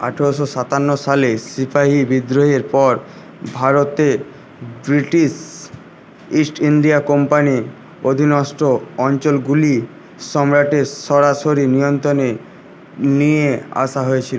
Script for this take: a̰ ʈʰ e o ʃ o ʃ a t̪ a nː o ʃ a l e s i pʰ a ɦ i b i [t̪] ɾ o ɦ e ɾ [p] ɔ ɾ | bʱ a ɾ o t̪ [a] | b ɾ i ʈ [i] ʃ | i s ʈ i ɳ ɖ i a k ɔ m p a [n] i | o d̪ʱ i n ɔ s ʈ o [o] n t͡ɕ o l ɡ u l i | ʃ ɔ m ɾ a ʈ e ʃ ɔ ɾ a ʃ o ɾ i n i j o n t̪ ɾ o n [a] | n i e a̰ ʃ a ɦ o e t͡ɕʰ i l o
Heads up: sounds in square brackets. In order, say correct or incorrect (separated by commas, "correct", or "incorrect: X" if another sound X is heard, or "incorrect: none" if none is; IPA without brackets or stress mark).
incorrect: d̪, correct, incorrect: e, correct, correct, incorrect: ɔ, incorrect: e